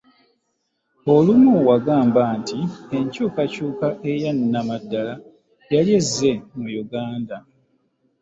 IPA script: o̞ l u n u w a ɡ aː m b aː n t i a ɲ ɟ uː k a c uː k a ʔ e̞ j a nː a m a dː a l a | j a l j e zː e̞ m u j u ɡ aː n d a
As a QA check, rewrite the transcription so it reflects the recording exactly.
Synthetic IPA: o̞ l u m u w a ɡ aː m b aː n t i e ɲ c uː k a c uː k a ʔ e̞ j a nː a m a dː a l a | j a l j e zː e̞ m u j u ɡ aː n d a